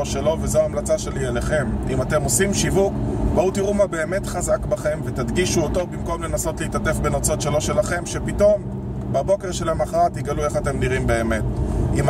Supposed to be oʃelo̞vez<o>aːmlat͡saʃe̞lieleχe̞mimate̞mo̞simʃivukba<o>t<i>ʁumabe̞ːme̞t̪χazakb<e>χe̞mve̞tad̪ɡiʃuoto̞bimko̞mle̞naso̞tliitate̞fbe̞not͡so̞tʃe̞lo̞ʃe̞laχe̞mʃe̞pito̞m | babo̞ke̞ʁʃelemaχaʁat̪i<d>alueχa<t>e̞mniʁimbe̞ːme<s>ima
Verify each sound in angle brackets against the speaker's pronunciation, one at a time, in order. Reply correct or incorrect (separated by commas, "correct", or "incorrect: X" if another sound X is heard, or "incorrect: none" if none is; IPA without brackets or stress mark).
correct, incorrect: u, correct, incorrect: a, incorrect: ɡ, correct, incorrect: t